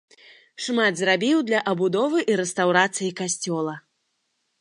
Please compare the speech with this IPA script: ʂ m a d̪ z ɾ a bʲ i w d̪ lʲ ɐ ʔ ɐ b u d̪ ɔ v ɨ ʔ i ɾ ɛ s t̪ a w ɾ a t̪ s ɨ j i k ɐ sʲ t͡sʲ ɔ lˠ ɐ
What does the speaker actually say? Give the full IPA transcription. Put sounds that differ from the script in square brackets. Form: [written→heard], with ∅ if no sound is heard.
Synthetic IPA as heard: ʂ m a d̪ z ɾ a bʲ i w d̪ lʲ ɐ ʔ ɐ b u d̪ ɔ v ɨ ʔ i ɾ ɛ s t̪ a w ɾ a t̪ s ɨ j i k [ɐ→a] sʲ t͡sʲ ɔ lˠ ɐ